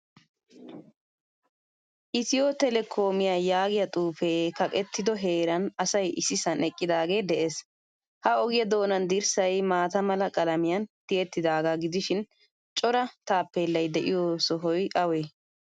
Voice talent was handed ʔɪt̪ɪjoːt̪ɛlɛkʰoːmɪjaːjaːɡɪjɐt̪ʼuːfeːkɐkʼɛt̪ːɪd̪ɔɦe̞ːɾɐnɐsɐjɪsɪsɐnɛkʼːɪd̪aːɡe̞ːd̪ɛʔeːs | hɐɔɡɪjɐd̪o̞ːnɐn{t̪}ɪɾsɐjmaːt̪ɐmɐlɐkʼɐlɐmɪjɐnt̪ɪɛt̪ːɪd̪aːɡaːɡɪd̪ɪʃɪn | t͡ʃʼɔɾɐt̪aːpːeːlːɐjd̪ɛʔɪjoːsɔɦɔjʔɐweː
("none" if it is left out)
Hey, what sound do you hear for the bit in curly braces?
d̪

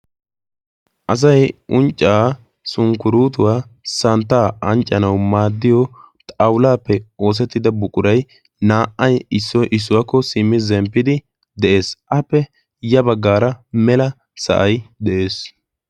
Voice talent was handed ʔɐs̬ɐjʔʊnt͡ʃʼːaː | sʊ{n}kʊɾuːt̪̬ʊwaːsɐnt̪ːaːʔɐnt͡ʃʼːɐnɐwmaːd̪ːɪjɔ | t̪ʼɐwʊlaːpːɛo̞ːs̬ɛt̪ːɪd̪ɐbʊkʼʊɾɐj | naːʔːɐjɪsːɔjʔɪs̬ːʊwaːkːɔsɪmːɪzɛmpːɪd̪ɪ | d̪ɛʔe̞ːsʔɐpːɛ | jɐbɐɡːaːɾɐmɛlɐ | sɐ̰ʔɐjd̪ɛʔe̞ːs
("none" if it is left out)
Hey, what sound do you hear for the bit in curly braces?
ŋ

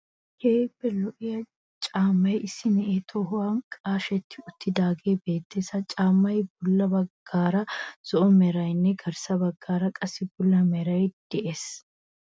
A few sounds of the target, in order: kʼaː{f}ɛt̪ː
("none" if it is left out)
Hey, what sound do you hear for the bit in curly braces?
ʃ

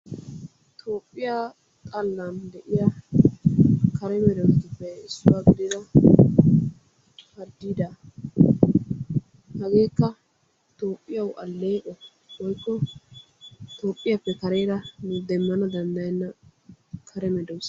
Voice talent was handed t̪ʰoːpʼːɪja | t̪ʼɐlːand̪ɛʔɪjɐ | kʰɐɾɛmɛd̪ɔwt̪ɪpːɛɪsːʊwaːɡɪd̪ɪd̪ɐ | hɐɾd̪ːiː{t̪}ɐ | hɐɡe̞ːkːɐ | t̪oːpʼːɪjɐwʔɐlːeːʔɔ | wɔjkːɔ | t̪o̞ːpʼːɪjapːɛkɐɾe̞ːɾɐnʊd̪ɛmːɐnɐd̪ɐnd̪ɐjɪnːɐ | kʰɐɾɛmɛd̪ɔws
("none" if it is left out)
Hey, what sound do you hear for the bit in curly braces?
d̪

